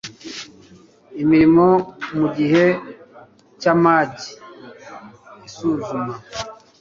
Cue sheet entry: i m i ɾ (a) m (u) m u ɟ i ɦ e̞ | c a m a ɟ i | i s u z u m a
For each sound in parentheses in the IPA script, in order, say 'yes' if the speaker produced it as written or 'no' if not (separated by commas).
no, no